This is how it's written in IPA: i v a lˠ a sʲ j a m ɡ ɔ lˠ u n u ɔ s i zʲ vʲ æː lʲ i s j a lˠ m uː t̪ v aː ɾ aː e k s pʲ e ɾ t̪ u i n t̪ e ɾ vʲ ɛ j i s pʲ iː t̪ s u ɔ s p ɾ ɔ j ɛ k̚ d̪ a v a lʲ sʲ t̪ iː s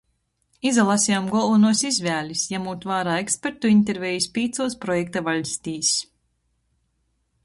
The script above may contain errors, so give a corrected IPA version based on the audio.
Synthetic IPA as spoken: i z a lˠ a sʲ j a m ɡ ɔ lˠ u n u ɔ s i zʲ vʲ æː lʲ i s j a m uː t̪ v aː ɾ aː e k s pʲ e ɾ t̪ u i n t̪ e ɾ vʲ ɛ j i s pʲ iː t̪ s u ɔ s p ɾ ɔ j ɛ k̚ t̪ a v a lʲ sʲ t̪ iː s